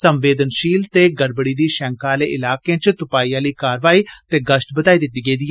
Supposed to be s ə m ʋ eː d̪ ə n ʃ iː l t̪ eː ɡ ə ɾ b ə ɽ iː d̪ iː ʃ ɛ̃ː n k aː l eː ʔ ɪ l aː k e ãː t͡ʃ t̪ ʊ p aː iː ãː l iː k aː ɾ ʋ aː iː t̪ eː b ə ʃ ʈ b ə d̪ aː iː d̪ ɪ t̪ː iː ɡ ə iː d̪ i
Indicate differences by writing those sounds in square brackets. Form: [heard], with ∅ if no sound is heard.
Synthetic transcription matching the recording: s ə m ʋ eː d̪ ə n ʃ iː l t̪ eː ɡ ə ɾ b ə ɽ iː d̪ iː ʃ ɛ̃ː [ŋ] k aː l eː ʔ ɪ l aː k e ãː t͡ʃ t̪ ʊ p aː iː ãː l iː k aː ɾ ʋ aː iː t̪ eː [ɡ] ə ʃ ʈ b ə d̪ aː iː d̪ ɪ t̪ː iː ɡ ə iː d̪ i